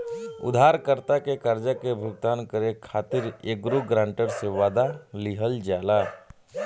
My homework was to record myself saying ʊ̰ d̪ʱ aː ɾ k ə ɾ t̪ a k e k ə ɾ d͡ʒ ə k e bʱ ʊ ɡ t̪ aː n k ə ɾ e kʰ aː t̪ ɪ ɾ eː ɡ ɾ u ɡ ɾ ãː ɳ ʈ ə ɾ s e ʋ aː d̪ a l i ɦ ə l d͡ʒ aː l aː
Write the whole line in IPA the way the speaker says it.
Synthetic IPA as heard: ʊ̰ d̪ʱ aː ɾ k ə ɾ t̪ a k e k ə ɾ d͡ʒ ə k e bʱ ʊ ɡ t̪ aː n k ə ɾ e kʰ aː t̪ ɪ ɾ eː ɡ ɾ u ɡ ɾ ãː ɳ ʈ ə ɾ s e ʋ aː d̪ a l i ɦ ə l d͡ʒ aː l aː